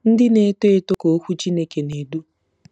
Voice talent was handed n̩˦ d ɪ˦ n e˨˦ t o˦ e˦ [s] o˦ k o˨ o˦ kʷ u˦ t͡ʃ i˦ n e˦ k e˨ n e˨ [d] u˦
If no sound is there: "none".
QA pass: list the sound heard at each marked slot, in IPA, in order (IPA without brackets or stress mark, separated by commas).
t, d